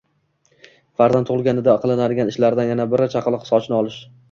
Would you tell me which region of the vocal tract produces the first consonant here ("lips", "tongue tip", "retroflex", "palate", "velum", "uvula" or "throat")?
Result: lips